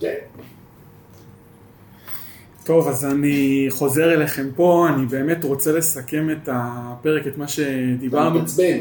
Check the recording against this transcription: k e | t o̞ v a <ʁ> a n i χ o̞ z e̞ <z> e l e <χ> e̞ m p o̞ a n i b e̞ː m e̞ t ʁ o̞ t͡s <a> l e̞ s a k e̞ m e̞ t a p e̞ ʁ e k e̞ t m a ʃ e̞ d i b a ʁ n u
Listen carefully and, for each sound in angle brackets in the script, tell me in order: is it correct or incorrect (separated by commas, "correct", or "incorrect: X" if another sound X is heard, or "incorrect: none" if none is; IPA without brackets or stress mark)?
incorrect: z, incorrect: ʁ, correct, incorrect: e